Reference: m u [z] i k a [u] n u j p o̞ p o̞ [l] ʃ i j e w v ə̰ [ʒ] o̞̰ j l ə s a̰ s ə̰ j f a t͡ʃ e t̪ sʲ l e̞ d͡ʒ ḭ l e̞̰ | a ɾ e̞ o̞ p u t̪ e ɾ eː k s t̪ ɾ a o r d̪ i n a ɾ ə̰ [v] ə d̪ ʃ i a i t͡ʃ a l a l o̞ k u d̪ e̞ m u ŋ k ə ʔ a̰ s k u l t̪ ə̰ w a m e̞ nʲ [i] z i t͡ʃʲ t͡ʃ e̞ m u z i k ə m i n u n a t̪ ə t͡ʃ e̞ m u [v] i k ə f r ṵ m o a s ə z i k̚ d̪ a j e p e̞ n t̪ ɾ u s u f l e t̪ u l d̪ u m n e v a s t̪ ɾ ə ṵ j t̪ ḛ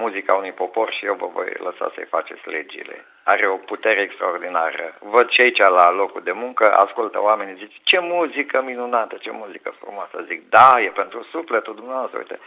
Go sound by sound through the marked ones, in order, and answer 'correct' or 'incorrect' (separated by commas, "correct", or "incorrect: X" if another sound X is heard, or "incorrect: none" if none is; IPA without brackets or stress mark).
correct, correct, incorrect: r, incorrect: v, correct, correct, incorrect: z